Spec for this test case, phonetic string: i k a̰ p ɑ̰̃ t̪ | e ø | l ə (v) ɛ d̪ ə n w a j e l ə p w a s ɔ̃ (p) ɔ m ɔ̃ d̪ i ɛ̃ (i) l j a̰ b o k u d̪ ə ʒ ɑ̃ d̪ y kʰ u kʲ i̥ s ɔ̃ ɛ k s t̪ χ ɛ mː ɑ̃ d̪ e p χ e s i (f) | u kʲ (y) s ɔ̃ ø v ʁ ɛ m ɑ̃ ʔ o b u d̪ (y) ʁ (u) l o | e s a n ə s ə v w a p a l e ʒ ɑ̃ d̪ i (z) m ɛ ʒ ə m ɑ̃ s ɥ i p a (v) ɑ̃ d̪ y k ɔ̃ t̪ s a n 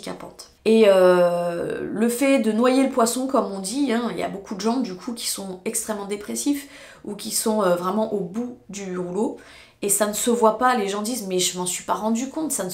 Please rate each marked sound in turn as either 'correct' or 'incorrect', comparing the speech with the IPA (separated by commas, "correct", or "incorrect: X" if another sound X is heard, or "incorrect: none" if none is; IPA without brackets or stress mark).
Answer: incorrect: f, incorrect: k, correct, correct, incorrect: i, correct, correct, correct, incorrect: ʁ